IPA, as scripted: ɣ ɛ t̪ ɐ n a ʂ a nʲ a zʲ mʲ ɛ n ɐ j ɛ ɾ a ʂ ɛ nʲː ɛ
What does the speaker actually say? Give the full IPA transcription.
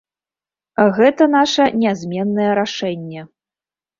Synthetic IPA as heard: ɣ ɛ t̪ ɐ n a ʂ ɐ nʲ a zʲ mʲ ɛ nː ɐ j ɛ ɾ a ʂ ɛ nʲː ɛ